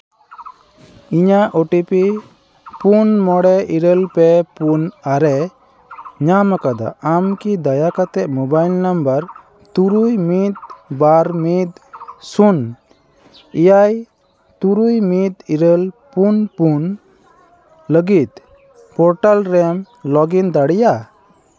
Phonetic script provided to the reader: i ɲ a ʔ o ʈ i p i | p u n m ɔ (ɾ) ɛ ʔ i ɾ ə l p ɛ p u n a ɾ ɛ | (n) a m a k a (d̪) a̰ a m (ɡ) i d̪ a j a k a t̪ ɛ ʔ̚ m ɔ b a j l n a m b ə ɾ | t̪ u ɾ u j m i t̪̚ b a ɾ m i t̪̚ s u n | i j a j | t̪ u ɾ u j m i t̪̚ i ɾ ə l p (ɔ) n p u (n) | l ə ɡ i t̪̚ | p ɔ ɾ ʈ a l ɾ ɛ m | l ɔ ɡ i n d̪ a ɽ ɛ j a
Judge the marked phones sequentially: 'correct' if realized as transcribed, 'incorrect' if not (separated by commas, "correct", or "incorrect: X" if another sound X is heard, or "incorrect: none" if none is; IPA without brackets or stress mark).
incorrect: ɽ, incorrect: ɲ, correct, incorrect: k, incorrect: u, correct